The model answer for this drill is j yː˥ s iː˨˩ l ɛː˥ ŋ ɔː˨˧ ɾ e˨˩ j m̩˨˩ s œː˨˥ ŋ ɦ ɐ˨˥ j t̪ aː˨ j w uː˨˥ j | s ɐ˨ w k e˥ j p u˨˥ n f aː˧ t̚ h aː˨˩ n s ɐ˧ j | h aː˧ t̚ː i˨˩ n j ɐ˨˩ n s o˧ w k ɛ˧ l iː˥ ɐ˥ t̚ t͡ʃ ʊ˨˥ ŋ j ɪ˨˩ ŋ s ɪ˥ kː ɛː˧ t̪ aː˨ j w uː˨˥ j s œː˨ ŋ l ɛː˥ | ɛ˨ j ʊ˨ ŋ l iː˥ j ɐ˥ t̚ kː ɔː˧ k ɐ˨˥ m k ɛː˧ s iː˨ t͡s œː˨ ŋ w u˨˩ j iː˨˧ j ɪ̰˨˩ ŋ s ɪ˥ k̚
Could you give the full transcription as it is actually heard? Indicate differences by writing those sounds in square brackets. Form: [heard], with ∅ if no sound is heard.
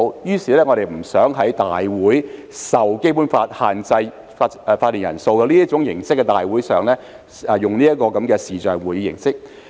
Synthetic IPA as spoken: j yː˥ s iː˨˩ l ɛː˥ ŋ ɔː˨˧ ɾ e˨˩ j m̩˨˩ s œː˨˥ ŋ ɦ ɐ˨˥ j t̪ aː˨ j w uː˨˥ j | s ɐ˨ w k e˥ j p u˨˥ n f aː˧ t̚ h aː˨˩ n [t͡s] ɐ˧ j | [f] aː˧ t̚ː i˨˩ n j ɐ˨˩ n s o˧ w k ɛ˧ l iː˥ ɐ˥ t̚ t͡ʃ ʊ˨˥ ŋ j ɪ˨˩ ŋ s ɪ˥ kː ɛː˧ t̪ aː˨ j w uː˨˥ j s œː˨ ŋ l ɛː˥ | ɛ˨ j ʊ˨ ŋ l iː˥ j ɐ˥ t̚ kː ɔː˧ k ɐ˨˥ m k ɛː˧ s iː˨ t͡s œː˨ ŋ w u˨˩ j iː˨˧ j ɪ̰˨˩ ŋ s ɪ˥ k̚

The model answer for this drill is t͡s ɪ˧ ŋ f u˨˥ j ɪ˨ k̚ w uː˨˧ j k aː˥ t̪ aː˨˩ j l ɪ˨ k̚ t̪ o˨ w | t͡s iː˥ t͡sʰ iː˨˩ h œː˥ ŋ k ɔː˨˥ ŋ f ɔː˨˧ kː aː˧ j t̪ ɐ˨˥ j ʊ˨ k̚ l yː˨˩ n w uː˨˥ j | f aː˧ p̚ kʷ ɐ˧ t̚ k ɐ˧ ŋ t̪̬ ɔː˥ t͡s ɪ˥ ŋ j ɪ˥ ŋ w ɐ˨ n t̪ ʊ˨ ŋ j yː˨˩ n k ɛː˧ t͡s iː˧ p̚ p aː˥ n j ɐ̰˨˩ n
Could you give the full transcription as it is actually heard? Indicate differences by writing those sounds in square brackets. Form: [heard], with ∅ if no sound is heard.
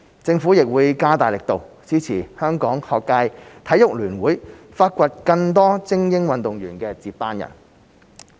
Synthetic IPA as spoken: t͡s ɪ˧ ŋ f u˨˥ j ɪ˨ k̚ w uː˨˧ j k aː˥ t̪ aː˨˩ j l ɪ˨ k̚ t̪ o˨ w | t͡s iː˥ t͡sʰ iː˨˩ h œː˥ ŋ k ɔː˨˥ ŋ [h] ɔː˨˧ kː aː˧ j [t̪ʰ] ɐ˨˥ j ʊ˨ k̚ l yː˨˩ n w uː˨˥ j | f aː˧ [t̚] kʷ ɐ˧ t̚ k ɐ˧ ŋ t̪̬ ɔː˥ t͡s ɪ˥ ŋ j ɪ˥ ŋ w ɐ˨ n t̪ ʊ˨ ŋ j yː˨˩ n k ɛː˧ t͡s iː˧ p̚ p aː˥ n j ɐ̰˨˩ n

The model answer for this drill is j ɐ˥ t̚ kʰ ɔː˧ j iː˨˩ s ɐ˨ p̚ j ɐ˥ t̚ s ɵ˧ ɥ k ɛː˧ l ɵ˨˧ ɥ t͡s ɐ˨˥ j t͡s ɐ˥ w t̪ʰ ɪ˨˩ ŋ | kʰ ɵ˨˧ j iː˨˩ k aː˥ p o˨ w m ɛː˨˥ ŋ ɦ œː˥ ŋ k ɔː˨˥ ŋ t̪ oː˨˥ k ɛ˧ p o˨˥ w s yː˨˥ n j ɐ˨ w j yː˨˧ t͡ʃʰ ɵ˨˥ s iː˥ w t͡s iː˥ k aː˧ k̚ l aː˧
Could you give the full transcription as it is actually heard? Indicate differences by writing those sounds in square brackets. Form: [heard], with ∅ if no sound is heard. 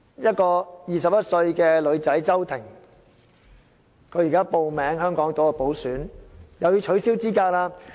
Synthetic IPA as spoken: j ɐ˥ t̚ [k] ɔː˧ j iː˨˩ s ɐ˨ p̚ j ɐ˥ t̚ s ɵ˧ ɥ k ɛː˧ l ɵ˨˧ ɥ t͡s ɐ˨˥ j t͡s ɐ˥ w t̪ʰ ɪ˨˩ ŋ | kʰ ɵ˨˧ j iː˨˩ k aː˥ p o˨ w m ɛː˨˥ ŋ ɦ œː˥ ŋ k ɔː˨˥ ŋ t̪ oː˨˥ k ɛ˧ p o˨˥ w s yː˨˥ n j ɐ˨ w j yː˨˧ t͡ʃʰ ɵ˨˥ s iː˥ w t͡s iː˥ k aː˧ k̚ l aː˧

